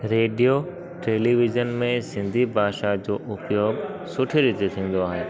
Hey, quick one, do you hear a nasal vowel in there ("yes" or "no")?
yes